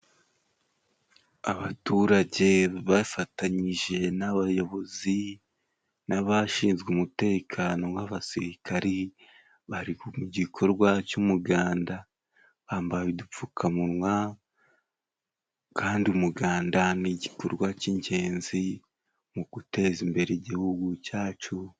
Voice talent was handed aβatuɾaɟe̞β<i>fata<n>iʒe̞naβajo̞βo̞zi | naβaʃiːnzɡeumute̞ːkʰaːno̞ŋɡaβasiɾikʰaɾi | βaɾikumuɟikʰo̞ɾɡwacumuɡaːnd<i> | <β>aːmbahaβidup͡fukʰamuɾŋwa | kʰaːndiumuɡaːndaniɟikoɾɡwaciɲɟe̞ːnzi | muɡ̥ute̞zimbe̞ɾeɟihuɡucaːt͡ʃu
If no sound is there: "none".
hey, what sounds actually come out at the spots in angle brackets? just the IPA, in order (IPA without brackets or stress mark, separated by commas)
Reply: a, ɲ, a, β